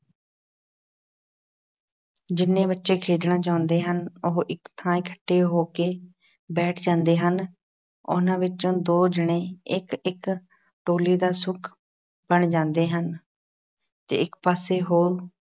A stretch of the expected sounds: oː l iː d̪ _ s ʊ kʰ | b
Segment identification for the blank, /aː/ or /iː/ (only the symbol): aː